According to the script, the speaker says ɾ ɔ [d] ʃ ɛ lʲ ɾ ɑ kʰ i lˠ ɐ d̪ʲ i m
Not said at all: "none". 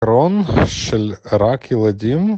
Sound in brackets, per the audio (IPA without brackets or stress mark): n